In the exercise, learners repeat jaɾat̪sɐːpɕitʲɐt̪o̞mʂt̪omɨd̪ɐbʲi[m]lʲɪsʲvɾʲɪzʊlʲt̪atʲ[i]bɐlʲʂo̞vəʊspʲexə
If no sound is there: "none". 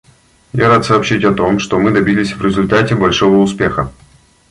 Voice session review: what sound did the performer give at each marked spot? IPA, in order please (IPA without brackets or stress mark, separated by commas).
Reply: none, ɪ